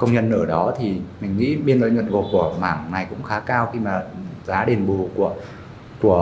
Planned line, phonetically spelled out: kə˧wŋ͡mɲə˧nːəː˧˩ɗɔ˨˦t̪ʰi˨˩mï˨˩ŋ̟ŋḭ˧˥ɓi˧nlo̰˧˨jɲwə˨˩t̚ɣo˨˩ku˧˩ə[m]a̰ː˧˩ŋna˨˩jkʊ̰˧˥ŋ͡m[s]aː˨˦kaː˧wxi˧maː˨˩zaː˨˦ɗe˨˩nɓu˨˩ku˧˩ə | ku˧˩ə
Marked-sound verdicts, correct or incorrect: correct, incorrect: x

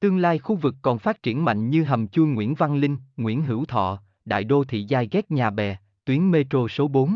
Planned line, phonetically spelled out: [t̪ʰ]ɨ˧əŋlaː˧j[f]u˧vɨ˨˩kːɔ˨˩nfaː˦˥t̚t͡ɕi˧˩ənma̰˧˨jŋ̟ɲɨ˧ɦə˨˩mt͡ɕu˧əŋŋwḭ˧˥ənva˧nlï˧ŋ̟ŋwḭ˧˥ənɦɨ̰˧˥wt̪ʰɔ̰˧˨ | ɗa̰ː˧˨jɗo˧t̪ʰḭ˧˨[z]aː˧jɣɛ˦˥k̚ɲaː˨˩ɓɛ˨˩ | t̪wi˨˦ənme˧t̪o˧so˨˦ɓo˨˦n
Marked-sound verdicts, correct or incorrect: incorrect: t̪, incorrect: x, correct

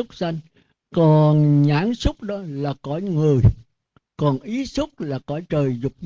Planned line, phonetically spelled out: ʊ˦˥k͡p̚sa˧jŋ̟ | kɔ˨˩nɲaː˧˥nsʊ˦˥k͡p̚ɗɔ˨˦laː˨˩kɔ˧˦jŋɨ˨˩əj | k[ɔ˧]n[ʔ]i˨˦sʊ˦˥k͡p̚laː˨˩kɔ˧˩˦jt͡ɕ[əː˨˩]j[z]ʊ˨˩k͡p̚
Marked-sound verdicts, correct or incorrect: incorrect: ɔ˨˩, correct, correct, correct

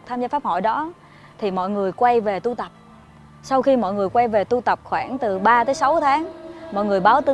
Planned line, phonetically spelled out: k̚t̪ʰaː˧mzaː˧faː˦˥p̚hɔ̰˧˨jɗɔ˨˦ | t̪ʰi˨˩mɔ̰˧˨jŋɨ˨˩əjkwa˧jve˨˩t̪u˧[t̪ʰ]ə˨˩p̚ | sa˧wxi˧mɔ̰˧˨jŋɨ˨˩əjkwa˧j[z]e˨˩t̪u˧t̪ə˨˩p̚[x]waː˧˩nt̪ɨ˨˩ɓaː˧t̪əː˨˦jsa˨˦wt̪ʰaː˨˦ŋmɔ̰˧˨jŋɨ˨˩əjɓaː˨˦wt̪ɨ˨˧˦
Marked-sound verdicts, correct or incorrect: incorrect: t̪, incorrect: v, correct

